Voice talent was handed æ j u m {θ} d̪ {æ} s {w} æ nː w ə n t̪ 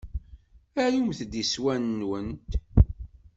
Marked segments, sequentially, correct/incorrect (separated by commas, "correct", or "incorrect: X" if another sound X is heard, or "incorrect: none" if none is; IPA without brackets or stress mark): correct, incorrect: i, correct